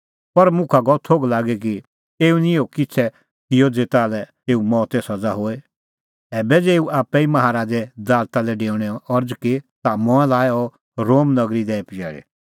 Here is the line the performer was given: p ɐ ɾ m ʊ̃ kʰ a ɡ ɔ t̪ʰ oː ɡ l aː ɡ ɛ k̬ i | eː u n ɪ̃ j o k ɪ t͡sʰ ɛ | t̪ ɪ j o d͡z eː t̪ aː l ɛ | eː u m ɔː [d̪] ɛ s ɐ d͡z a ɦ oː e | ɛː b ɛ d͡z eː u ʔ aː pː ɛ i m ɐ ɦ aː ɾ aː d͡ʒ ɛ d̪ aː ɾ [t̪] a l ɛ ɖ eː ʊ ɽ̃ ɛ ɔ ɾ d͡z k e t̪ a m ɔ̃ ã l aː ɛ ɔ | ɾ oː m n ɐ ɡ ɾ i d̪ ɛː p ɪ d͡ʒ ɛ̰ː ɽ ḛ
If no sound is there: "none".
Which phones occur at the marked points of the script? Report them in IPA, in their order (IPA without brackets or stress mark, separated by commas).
t̪, t̪